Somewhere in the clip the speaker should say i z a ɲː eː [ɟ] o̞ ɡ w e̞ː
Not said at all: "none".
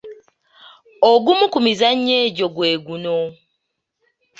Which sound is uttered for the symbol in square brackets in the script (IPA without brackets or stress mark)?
ɟ